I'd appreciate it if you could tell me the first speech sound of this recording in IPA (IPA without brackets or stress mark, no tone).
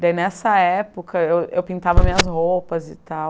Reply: d̪